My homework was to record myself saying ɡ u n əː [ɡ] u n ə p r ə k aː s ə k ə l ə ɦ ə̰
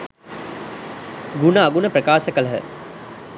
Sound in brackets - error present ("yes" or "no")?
no